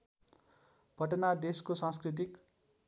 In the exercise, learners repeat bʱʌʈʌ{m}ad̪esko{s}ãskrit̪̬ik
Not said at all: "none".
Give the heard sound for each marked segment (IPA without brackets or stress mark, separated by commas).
n, s